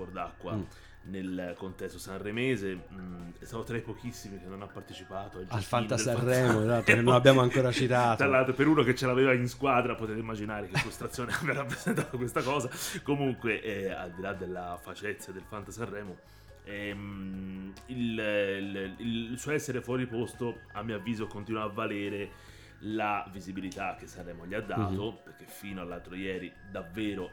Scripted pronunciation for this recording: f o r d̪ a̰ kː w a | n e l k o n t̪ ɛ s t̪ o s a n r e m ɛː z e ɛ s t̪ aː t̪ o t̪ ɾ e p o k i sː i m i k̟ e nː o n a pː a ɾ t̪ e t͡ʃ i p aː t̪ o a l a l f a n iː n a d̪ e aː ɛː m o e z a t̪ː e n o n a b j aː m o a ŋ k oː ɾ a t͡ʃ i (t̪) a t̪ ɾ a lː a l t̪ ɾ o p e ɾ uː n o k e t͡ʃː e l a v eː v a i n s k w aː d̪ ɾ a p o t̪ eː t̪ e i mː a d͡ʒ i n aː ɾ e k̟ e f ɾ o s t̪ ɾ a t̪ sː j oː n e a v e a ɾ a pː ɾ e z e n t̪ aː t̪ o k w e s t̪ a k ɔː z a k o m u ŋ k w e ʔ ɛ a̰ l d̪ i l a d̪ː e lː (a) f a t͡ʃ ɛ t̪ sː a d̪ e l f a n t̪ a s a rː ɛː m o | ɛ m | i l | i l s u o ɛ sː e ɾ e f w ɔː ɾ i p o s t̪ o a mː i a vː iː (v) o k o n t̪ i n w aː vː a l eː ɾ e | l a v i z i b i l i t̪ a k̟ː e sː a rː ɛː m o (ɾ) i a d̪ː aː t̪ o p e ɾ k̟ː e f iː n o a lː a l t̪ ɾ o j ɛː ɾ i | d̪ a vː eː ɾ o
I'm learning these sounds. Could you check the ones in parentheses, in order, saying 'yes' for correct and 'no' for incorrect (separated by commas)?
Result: yes, yes, no, no